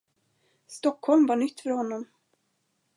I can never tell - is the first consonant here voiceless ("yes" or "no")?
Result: yes